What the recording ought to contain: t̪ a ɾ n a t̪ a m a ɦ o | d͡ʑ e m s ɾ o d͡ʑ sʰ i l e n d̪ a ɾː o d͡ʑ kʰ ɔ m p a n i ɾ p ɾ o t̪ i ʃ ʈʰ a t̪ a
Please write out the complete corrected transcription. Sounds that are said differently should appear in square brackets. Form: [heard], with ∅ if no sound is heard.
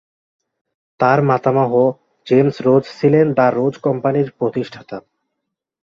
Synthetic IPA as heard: t̪ a ɾ [m] a t̪ a m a ɦ o | d͡ʑ e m s ɾ o d͡ʑ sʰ i l e n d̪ a ɾː o d͡ʑ [k] ɔ m p a n i ɾ p ɾ o t̪ i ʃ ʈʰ a t̪ a